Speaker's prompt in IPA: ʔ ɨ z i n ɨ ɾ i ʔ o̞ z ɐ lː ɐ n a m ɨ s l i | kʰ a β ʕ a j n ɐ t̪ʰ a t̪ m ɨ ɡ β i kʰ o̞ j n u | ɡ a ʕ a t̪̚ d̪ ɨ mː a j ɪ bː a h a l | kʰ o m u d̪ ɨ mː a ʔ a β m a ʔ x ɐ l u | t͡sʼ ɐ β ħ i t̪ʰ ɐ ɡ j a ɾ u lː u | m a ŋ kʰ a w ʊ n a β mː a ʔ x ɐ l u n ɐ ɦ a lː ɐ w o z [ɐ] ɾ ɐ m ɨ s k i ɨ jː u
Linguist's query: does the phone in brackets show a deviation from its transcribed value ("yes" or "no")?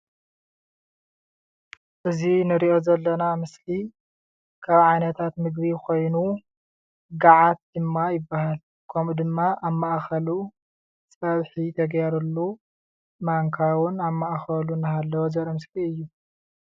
no